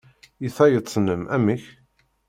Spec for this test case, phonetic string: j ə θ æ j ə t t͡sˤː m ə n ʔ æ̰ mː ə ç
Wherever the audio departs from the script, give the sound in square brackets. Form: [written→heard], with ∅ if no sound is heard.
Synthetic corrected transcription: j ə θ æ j ə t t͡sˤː [m→n] ə [n→m] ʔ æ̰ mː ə ç